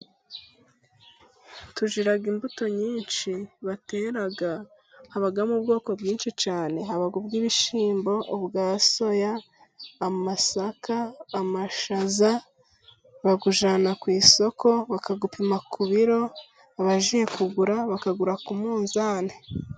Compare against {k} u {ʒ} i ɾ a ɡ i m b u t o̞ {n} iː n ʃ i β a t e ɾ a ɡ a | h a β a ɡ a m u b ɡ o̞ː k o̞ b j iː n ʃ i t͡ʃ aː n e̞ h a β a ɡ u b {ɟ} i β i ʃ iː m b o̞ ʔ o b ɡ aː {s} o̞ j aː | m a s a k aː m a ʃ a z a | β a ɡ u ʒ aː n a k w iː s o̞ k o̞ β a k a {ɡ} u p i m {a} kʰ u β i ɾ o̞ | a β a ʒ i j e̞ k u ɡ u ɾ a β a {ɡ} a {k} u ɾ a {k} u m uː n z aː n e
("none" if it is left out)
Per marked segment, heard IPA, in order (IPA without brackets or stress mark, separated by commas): t, ʒ, ɲ, ɡ, s, ɡ, a, k, ɡ, k